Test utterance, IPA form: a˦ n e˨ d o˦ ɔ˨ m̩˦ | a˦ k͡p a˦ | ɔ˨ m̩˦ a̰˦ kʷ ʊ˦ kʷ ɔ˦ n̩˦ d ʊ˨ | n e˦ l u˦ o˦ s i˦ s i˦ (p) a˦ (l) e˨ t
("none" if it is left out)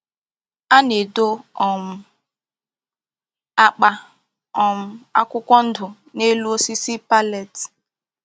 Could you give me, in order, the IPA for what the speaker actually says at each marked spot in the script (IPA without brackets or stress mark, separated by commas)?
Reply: p, l